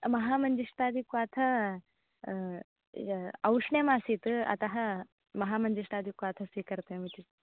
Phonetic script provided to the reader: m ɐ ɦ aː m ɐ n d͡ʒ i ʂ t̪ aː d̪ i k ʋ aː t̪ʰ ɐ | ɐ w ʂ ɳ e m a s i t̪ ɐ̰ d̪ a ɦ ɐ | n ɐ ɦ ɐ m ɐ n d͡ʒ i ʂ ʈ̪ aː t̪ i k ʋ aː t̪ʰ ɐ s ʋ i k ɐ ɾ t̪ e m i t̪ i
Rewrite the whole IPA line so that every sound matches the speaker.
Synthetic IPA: m ɐ ɦ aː m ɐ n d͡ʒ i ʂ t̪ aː d̪ i k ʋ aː t̪ʰ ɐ | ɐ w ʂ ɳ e m a s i t̪ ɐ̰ t̪ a ɦ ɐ | m ɐ ɦ a m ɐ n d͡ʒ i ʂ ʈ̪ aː d̪ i k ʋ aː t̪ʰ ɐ s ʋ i k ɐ ɾ t̪ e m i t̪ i